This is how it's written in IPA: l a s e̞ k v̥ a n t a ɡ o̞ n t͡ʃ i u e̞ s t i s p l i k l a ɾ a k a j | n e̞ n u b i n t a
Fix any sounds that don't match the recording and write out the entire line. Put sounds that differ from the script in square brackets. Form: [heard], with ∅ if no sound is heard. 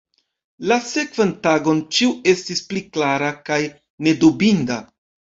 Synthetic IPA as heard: l a s e̞ k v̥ a n t a ɡ o̞ n t͡ʃ i u e̞ s t i s p l i k l a ɾ a k a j | n e̞ [d] u b i n [d] a